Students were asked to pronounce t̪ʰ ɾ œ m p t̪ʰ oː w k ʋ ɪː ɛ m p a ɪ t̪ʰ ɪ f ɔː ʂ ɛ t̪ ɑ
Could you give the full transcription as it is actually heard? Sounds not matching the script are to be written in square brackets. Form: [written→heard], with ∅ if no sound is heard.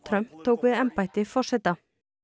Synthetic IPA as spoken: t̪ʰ ɾ œ m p t̪ʰ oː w k ʋ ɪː ɛ m p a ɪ [t̪ʰ→t̪] ɪ f [ɔː→ɔ] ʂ ɛ t̪ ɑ